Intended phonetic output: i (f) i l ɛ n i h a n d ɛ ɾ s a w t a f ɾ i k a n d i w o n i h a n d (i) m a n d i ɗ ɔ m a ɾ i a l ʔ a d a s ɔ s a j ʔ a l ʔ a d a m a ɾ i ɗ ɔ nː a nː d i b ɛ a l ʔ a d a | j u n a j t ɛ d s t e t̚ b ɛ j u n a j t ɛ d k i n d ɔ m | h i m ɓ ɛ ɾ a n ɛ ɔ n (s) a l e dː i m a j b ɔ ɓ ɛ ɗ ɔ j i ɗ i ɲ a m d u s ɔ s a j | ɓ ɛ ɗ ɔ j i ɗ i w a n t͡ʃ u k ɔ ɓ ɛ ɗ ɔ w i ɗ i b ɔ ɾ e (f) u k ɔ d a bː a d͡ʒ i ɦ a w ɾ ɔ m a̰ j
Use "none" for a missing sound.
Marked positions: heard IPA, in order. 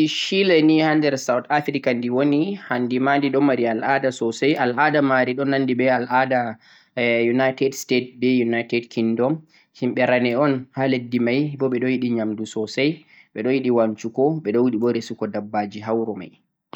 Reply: ʃ, i, h, s

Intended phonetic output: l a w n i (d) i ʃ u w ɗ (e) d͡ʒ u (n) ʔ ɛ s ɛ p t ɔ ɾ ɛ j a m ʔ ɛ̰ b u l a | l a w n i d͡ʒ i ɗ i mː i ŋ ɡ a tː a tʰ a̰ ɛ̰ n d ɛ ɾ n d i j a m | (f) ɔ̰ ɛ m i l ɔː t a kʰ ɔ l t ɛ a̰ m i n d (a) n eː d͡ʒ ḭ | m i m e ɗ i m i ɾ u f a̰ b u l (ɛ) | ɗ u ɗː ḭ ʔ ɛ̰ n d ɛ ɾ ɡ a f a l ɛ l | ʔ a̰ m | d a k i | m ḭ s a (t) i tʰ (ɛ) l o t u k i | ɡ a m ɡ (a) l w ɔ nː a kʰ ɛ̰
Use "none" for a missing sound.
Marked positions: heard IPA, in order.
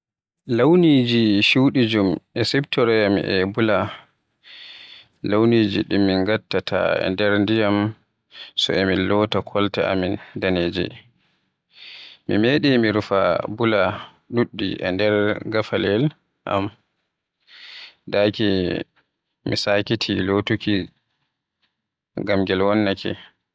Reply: d͡ʒ, i, m, s, a, a, k, i, ɛ

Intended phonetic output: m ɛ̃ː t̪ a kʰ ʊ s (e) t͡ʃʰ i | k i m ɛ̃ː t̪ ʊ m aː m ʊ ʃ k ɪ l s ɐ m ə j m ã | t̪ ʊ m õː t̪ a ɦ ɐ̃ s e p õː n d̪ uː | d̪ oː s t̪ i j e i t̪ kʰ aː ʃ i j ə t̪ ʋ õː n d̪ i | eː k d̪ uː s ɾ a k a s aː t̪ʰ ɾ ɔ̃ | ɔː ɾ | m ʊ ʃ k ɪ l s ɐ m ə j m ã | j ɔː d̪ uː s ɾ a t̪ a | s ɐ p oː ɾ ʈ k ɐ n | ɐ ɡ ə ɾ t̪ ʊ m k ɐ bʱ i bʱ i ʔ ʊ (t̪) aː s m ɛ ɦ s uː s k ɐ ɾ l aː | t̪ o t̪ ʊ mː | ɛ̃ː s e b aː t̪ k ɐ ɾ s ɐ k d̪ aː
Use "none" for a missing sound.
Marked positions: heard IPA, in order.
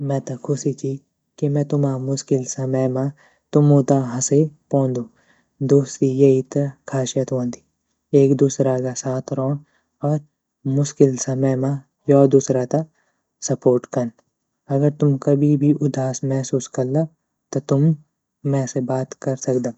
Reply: i, d̪

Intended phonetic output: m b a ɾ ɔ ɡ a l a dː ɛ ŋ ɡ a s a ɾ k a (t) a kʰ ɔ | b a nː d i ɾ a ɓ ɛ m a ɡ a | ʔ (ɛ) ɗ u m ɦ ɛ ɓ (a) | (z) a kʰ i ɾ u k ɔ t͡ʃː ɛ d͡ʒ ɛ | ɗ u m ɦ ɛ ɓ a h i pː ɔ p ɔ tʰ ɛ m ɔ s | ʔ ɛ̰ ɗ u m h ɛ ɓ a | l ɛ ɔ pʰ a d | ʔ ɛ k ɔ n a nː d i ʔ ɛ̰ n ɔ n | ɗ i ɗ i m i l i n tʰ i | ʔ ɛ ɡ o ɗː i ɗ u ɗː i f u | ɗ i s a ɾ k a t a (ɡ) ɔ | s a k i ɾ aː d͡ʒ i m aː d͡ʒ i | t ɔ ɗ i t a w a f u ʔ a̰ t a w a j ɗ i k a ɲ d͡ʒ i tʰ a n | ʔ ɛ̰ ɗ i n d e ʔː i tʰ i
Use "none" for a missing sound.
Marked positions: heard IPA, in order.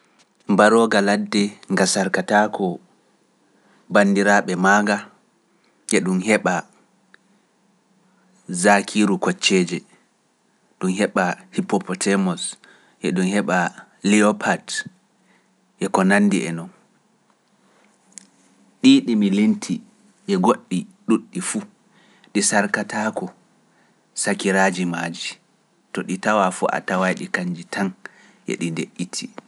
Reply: t, ɛ, a, z, k

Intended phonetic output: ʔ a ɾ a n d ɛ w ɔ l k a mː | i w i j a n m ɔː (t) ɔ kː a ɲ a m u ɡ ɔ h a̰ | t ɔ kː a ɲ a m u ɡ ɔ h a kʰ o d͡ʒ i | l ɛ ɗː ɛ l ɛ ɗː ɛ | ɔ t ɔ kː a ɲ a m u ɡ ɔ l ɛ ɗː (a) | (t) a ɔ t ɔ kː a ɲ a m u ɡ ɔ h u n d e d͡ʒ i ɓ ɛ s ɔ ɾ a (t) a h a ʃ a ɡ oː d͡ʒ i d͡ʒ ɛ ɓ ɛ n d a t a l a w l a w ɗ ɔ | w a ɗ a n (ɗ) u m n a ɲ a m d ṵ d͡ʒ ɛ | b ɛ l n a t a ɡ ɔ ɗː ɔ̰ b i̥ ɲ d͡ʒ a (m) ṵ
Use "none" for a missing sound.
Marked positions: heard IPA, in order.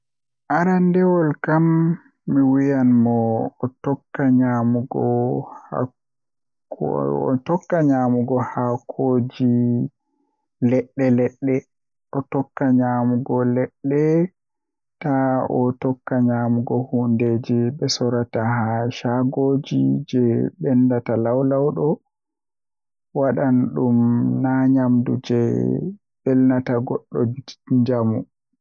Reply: t, ɛ, t, t, ɗ, m

